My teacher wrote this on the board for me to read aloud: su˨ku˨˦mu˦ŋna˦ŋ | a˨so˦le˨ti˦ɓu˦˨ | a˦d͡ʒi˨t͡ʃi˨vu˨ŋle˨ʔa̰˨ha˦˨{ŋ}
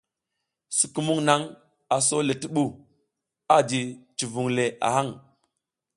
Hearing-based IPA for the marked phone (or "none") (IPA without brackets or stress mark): ŋ